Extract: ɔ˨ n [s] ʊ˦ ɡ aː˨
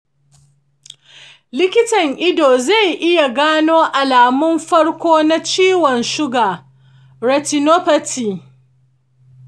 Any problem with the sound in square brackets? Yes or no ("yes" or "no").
yes